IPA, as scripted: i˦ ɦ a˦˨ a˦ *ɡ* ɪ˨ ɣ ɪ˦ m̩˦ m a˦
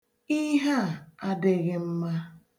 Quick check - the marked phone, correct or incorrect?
incorrect